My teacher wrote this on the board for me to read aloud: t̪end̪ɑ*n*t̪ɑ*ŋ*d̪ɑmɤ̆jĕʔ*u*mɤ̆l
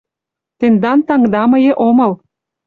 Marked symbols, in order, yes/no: yes, yes, no

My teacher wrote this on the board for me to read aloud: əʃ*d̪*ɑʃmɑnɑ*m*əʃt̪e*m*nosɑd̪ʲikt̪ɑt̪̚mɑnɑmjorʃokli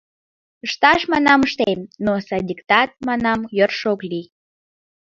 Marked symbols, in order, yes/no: no, yes, yes

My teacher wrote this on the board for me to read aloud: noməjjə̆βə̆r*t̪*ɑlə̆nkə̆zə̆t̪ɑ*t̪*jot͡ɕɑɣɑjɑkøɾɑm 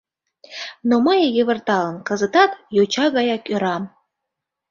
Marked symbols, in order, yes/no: yes, yes

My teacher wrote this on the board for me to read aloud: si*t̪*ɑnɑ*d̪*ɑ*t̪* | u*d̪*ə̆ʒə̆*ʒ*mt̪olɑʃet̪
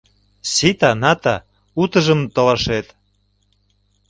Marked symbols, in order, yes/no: yes, no, no, no, no

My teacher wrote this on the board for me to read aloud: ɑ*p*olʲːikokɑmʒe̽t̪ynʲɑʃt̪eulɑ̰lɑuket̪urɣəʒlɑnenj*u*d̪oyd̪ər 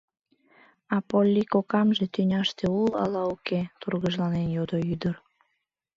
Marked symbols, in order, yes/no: yes, no

